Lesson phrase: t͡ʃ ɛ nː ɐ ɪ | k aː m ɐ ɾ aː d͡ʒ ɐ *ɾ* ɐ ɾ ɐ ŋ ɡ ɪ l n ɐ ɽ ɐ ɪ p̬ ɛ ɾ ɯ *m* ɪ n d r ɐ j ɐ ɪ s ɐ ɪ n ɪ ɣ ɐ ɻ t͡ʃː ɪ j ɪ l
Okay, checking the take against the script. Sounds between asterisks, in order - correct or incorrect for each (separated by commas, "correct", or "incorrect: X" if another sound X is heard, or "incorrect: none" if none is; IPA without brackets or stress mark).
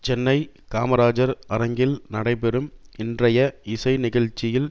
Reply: correct, correct